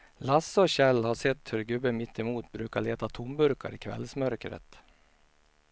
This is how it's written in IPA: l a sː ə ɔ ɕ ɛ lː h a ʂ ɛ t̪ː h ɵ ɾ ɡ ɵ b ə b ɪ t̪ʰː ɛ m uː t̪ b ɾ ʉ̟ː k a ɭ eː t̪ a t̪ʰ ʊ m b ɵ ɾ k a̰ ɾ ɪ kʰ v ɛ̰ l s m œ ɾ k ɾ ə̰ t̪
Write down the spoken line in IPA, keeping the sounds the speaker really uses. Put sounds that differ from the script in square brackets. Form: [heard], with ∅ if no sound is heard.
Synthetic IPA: l a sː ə ɔ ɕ ɛ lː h a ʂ ɛ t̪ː h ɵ ɾ ɡ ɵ b ə [m] ɪ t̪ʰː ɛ m uː t̪ b ɾ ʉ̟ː k a ɭ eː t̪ a t̪ʰ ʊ m b ɵ ɾ k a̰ ɾ ɪ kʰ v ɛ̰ l s m œ ɾ k ɾ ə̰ t̪